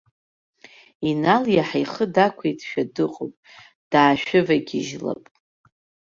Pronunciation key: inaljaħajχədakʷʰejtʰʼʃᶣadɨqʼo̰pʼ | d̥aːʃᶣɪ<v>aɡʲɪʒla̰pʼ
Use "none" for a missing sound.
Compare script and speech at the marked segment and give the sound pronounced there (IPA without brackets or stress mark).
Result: v